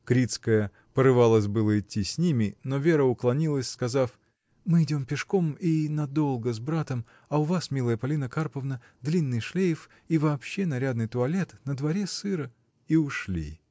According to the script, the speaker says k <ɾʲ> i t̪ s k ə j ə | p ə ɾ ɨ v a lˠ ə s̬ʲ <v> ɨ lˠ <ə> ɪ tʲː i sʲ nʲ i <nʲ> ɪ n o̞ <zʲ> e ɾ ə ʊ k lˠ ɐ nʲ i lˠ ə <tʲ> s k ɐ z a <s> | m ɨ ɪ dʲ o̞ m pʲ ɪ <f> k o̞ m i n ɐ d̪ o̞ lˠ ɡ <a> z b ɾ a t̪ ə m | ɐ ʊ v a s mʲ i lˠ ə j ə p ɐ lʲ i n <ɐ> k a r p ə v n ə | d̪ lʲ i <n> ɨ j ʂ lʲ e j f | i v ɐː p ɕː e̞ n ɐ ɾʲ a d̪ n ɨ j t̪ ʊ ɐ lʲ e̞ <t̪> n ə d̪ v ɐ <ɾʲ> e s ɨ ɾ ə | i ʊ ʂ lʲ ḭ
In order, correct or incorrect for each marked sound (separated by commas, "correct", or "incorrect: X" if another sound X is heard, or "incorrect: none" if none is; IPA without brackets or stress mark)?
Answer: correct, incorrect: b, correct, incorrect: mʲ, incorrect: vʲ, incorrect: sʲ, incorrect: f, incorrect: ʂ, incorrect: ə, incorrect: ə, incorrect: nː, correct, correct